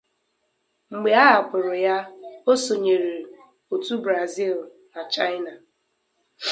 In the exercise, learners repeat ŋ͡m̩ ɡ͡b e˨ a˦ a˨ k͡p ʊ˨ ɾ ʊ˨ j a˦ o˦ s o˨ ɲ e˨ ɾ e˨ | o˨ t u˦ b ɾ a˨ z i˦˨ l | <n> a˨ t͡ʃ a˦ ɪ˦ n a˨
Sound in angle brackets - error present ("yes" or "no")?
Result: no